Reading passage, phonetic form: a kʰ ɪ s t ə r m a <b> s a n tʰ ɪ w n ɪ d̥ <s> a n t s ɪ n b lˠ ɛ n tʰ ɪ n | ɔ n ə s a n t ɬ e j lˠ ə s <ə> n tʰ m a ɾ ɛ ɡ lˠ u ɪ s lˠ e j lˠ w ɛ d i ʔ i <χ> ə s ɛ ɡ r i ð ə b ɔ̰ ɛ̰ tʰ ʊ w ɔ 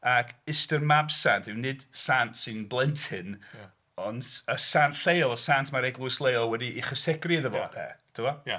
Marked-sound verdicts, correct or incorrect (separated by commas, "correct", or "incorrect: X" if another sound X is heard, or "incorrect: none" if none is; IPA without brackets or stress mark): correct, correct, incorrect: a, correct